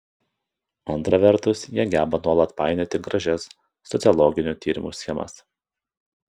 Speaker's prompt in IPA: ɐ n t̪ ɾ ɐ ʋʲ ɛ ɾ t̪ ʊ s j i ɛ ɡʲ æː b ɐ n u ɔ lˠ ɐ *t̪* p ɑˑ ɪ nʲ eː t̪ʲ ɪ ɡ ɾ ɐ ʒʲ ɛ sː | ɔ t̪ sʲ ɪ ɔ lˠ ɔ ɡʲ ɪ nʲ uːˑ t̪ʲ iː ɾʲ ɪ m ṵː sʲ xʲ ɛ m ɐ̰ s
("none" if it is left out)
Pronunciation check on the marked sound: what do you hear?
t̪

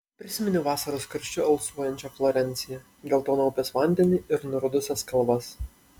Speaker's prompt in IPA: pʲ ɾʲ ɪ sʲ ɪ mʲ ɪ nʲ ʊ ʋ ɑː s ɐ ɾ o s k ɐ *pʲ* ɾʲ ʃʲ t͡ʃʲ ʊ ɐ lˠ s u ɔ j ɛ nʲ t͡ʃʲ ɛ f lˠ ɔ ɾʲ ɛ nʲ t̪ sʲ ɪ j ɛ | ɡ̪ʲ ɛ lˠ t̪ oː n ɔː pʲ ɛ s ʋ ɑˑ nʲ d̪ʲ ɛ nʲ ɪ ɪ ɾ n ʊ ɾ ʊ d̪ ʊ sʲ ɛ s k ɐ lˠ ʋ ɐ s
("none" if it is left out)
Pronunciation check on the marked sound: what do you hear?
none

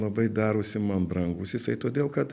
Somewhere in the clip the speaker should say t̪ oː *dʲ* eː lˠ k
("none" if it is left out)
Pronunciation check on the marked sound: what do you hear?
dʲ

